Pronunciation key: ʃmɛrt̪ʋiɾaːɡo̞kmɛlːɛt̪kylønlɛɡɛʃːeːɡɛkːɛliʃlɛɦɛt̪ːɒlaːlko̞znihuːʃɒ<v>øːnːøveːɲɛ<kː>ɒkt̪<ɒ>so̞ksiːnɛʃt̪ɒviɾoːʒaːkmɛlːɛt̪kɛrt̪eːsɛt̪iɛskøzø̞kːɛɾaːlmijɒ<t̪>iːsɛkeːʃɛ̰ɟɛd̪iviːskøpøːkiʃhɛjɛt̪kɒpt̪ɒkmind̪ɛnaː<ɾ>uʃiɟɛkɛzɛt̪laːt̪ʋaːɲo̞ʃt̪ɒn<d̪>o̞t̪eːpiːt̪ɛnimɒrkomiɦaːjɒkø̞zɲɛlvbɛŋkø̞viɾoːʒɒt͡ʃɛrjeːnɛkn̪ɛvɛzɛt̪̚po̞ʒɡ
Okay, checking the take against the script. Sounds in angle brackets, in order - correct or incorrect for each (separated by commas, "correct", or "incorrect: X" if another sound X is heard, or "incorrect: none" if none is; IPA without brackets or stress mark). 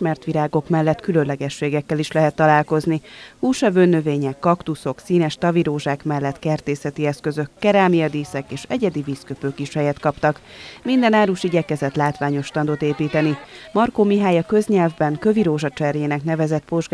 correct, correct, incorrect: u, incorrect: d̪, correct, correct